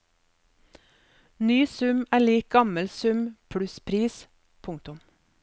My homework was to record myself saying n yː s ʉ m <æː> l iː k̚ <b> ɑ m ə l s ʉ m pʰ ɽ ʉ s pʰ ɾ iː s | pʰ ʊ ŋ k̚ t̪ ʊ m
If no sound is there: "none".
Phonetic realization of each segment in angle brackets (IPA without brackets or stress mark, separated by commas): æː, ɡ